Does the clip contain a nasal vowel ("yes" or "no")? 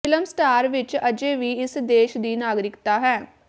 no